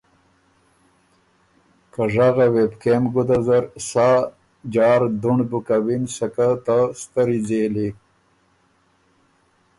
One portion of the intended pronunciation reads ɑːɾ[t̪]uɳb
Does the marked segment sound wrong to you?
yes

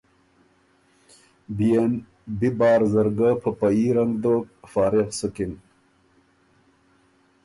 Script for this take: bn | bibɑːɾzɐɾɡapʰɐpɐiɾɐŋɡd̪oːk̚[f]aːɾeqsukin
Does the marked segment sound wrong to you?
no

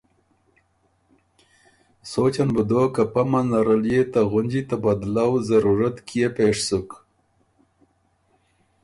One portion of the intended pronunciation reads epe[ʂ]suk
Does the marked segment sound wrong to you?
no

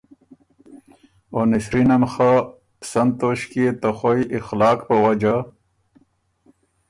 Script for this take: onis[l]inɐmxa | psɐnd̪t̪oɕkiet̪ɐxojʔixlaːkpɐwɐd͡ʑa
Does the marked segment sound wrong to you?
yes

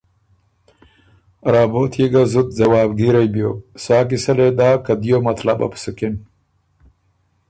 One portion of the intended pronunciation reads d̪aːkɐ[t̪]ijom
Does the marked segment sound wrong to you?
yes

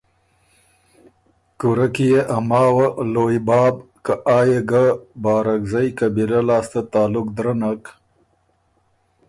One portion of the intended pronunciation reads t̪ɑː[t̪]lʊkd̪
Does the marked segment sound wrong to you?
yes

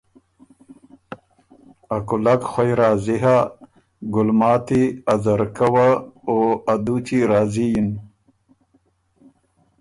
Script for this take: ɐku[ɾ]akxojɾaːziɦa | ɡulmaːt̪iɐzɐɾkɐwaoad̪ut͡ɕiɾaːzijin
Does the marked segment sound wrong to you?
yes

